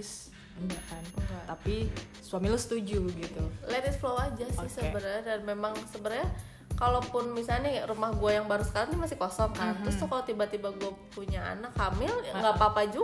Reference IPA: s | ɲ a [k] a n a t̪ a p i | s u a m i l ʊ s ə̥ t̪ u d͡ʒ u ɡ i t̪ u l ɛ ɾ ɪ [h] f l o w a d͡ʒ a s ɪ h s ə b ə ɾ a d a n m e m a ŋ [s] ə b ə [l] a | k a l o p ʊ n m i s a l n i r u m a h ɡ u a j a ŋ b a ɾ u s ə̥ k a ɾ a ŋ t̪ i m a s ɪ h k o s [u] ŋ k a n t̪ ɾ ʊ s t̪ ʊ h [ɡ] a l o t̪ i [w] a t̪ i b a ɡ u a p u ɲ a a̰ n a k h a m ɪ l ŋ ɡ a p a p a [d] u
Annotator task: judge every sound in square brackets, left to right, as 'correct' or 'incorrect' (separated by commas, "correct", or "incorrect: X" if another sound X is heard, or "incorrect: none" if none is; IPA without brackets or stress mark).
correct, incorrect: s, correct, incorrect: ɾ, incorrect: ɔ, incorrect: k, incorrect: b, incorrect: d͡ʒ